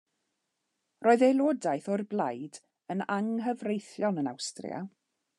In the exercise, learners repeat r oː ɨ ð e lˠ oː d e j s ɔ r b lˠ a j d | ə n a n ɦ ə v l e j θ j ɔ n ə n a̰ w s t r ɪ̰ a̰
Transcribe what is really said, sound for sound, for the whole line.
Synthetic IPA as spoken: r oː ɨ ð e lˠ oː d a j θ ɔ r b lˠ a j d | ə n a ŋ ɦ ə v r e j θ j ɔ n ə n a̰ w s t r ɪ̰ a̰

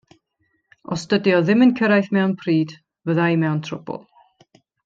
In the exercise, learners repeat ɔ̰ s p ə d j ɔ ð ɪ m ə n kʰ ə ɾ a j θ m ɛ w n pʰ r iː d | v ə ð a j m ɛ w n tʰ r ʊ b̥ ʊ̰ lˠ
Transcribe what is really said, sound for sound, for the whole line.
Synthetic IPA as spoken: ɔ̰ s t ə d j ɔ ð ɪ m ə n kʰ ə ɾ a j θ m ɛ w n pʰ r iː d | v ə ð a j m ɛ w n tʰ r ʊ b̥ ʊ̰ lˠ

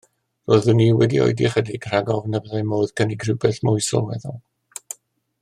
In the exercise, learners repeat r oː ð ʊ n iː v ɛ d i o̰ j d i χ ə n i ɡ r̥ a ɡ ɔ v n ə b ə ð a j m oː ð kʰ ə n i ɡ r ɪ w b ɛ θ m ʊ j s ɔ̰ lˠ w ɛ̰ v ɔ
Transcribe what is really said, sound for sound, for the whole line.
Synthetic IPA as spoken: r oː ð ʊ n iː w ɛ d i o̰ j d i χ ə d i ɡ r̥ a ɡ ɔ v n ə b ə ð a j m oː ð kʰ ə n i ɡ r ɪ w b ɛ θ m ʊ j s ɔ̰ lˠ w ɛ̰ ð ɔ

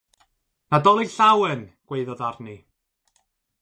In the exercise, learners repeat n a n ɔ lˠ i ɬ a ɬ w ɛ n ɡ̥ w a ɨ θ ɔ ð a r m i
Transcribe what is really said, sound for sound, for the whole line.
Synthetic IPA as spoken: n a d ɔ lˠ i ɬ a w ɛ n ɡ̥ w e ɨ ð ɔ ð a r n i

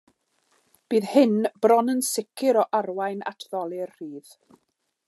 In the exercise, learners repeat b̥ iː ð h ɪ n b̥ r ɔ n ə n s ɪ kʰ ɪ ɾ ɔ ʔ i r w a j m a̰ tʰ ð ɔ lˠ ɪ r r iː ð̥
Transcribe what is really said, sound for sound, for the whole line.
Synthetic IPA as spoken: b̥ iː ð h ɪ n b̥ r ɔ n ə n s ɪ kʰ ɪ ɾ ɔ ʔ a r w a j n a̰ tʰ ð ɔ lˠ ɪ r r iː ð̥

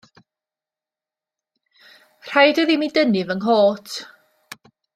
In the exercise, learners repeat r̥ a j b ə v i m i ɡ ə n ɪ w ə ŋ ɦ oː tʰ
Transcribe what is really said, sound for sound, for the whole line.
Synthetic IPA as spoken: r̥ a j d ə ð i m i d ə n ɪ v ə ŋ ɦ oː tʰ

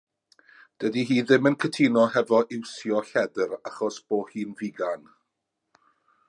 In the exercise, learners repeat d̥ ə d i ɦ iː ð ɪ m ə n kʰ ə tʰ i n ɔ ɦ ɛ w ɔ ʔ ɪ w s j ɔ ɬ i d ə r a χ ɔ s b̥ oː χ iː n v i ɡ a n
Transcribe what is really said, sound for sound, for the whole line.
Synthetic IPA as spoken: d̥ ə d i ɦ iː ð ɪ m ə n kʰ ə tʰ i n ɔ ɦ ɛ v ɔ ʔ ɪ w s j ɔ ɬ ɛ d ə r a χ ɔ s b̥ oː h iː n v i ɡ a n

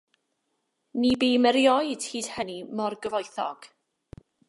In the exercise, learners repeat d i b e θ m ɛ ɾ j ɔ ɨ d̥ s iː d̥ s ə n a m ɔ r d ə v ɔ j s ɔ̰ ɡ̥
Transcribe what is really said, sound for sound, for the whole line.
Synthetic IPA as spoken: n i b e m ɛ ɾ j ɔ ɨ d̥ h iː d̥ h ə n i m ɔ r ɡ ə v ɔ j θ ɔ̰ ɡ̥

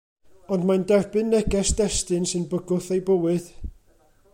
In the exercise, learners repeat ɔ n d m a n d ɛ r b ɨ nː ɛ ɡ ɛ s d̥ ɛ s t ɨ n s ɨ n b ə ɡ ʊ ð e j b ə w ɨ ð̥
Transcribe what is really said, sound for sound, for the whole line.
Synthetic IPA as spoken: ɔ n d m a n d ɛ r b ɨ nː ɛ ɡ ɛ s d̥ ɛ s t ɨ n s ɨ n b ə ɡ ʊ θ e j b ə w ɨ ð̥

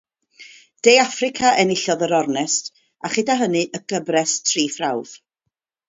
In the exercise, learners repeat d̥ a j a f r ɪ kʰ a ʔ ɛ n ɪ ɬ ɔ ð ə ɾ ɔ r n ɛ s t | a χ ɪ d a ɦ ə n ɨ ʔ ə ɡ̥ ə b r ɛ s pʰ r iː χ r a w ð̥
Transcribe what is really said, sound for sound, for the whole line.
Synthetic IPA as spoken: d̥ e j a f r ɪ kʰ a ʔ ɛ n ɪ ɬ ɔ ð ə ɾ ɔ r n ɛ s t | a χ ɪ d a ɦ ə n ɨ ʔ ə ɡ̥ ə b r ɛ s tʰ r iː f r a w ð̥

